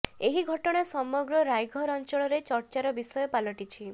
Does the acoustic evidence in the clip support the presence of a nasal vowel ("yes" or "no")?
no